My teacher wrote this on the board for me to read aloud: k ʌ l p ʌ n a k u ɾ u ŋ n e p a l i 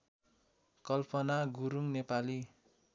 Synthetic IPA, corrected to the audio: k ʌ l p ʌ n a ɡ u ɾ u ŋ n e p a l i